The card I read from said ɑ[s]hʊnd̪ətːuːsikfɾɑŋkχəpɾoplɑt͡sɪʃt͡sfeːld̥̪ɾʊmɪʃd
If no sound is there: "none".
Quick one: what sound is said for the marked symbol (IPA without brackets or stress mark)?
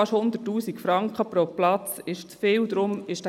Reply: ʃ